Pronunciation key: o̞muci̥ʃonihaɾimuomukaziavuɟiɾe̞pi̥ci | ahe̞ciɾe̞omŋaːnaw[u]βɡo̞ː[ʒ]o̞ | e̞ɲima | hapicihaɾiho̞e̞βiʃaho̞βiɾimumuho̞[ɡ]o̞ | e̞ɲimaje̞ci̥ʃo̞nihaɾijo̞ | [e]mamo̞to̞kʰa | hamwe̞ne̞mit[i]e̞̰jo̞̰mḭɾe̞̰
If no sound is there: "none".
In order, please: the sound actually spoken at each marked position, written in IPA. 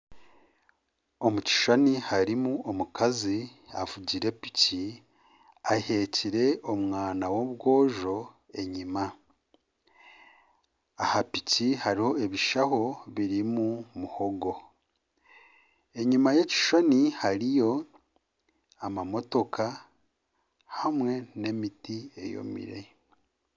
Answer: o, ʒ, ɡ, a, i

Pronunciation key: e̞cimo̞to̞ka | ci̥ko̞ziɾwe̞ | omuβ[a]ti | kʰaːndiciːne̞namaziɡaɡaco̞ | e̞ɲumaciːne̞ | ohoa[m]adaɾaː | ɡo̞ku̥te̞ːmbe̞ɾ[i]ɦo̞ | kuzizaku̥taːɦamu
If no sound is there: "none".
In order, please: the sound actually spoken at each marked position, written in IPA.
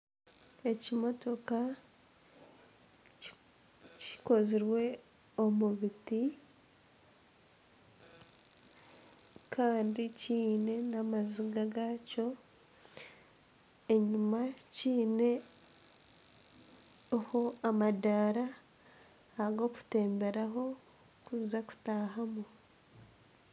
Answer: i, m, a

